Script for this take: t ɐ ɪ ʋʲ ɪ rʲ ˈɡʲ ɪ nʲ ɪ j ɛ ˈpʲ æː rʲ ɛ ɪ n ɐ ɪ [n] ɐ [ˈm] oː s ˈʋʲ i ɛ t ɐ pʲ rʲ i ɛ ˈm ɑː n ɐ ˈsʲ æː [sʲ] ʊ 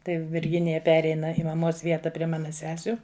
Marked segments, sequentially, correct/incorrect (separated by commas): incorrect, correct, correct